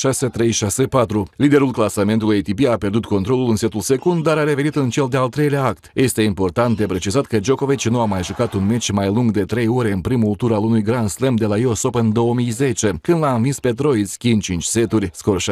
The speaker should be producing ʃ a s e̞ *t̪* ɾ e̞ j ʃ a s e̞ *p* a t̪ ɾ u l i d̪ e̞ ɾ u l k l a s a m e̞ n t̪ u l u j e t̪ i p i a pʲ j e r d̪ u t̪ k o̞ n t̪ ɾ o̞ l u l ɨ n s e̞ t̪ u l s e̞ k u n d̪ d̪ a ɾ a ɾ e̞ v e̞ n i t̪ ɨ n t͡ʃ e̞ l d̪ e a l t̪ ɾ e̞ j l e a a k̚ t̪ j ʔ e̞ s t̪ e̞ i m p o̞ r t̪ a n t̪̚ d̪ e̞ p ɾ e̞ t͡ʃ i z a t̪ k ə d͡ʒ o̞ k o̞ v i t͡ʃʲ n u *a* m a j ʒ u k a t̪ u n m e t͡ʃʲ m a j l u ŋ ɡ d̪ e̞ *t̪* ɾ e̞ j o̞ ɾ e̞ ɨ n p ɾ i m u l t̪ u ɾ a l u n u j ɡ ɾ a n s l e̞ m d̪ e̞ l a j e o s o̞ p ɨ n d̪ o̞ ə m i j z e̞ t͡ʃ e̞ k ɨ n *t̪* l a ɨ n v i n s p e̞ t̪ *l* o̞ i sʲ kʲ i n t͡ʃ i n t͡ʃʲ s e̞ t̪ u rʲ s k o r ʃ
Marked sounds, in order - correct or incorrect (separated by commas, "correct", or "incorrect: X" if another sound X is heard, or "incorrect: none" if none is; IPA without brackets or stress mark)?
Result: correct, correct, correct, correct, incorrect: d̪, incorrect: ɾ